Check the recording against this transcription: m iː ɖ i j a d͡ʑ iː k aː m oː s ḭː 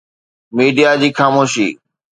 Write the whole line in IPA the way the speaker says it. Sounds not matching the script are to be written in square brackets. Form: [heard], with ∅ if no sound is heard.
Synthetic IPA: m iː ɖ i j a d͡ʑ iː [x] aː m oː [ʃ] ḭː